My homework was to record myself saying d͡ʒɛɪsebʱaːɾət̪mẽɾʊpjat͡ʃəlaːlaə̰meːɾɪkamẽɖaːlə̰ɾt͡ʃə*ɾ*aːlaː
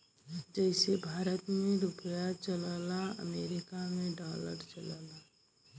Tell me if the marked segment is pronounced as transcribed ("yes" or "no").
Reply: no